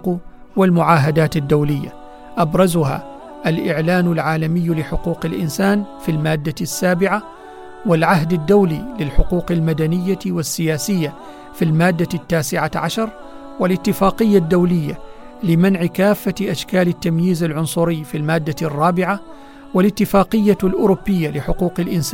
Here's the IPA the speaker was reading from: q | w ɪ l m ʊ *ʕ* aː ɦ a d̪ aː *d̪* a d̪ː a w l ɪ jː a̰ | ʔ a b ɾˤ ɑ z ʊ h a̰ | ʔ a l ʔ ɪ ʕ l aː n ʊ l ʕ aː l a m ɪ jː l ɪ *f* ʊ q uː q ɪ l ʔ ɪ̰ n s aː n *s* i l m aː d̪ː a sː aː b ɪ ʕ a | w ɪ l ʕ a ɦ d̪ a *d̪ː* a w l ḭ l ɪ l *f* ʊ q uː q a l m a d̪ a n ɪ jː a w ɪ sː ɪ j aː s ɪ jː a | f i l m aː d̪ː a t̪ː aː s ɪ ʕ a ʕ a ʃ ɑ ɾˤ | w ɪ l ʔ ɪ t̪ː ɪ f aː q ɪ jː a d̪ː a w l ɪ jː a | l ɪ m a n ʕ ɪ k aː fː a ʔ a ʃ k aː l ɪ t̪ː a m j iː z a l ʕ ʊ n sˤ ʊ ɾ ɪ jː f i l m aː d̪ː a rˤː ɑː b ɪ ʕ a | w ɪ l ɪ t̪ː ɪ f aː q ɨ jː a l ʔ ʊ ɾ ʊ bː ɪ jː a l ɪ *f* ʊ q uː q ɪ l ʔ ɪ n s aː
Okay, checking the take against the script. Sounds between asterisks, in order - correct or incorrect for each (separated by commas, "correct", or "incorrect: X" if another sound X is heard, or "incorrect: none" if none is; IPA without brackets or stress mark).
correct, incorrect: t̪, incorrect: ħ, incorrect: f, correct, incorrect: ħ, incorrect: ħ